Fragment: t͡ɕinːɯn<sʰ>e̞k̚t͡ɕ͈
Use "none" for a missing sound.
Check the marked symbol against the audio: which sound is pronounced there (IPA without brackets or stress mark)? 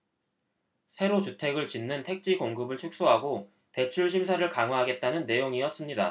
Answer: tʰ